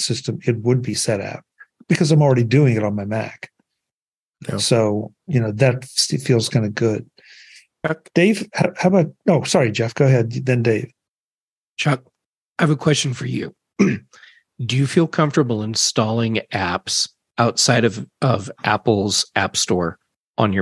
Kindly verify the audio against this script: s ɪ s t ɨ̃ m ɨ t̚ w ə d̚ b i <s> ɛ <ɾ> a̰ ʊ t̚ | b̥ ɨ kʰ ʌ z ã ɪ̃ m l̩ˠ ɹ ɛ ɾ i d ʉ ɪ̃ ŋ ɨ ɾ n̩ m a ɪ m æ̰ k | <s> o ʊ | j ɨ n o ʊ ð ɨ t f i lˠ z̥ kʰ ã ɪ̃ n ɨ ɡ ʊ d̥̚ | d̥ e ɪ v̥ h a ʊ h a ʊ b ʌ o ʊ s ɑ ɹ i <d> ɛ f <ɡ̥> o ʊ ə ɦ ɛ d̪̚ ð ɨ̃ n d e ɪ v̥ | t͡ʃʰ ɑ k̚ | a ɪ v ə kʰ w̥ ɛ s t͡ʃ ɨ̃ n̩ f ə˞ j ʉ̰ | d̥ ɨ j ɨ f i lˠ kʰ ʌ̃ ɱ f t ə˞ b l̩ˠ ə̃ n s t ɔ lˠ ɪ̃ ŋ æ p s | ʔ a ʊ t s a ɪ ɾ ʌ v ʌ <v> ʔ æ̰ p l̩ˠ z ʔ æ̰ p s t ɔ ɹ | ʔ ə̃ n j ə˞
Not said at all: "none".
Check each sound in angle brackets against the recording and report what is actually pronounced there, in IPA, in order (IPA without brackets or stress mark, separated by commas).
s, ɾ, s, d͡ʒ, ɡ̥, v